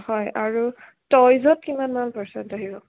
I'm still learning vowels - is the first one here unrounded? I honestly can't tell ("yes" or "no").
no